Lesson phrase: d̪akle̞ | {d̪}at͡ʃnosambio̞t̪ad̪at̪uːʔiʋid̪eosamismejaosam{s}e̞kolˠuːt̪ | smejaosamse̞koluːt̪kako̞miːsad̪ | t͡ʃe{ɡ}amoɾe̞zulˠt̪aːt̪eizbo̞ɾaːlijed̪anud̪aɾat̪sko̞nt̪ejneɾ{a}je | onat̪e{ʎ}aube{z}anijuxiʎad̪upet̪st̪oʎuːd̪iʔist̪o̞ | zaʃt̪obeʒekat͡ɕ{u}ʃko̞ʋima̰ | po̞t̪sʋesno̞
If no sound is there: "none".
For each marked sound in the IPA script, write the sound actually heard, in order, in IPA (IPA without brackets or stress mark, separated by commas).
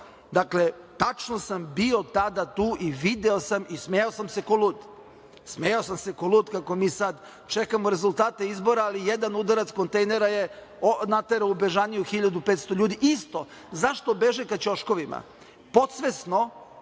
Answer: t̪, s, k, a, ɾ, ʒ, o